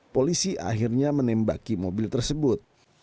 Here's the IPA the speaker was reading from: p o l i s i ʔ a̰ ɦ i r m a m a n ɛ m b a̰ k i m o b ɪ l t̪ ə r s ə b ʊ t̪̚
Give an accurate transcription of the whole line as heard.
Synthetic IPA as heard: p o l i s i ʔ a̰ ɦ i r ɲ a m ə n ɛ m b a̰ k i m o b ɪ l t̪ ə r s ə b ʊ t̪̚